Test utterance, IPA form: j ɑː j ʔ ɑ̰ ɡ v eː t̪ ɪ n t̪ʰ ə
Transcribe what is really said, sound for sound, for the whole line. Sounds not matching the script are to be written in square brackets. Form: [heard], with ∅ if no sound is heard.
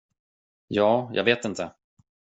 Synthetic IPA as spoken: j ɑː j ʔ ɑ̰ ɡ v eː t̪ ɪ n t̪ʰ ə

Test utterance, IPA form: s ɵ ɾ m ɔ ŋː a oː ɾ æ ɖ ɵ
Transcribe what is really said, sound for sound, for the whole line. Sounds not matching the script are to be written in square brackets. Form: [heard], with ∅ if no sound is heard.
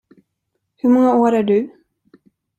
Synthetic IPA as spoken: [h] ɵ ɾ m ɔ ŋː a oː ɾ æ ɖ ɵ

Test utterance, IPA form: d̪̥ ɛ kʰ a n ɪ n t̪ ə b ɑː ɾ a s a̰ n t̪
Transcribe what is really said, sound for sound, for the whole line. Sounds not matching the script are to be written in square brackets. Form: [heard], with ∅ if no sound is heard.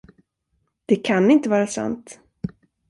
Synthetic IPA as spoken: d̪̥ ɛ kʰ a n ɪ n t̪ ə [v] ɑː ɾ a s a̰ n t̪

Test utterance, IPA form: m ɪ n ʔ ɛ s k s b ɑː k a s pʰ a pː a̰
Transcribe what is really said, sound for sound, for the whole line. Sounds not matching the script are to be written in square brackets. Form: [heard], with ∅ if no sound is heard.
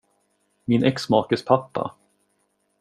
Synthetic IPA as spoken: m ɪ n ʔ ɛ [∅] k s [m] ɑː k [ə] s pʰ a pː a̰

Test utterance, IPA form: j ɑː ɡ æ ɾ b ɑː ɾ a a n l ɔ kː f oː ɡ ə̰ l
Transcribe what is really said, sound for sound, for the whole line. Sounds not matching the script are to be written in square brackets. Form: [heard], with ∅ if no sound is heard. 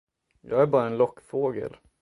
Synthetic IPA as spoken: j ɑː ɡ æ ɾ b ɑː ɾ a [ɛ] n l ɔ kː f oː ɡ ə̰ l

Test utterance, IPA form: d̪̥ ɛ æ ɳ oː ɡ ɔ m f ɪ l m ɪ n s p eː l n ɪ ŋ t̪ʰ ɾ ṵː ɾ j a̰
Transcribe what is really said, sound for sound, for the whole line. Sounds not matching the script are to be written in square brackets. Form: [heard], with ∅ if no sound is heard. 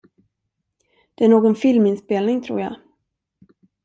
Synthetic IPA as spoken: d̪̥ ɛ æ ɳ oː ɡ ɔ [n] f ɪ l m ɪ n s p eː l n ɪ ŋ t̪ʰ ɾ ṵː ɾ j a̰

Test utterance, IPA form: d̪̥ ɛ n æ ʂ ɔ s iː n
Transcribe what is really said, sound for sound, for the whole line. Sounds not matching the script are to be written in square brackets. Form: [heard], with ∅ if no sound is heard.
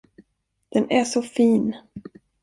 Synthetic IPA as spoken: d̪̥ ɛ n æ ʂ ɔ [f] iː n

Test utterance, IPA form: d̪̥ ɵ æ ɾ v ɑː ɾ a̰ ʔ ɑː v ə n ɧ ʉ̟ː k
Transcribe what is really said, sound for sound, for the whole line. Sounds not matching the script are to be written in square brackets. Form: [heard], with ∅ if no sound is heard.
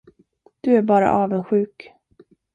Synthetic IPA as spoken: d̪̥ ɵ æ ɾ [b] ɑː ɾ a̰ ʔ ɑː v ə n ɧ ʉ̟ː k

